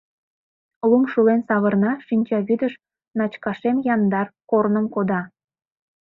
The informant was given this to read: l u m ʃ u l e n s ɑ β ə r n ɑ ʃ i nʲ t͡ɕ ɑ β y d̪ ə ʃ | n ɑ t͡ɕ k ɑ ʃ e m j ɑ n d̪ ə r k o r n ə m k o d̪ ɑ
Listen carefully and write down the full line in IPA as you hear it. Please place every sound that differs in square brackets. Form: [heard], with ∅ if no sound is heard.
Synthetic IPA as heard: l u m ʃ u l e n s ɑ β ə r n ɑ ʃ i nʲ t͡ɕ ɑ β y d̪ ə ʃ | n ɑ t͡ɕ k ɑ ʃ e m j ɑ n d̪ [ɑ] r k o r n ə m k o d̪ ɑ